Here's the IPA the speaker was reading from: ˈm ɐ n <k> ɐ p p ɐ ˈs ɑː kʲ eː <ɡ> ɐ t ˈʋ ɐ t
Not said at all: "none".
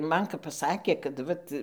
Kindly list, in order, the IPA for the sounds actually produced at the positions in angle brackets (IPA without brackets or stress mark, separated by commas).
k, k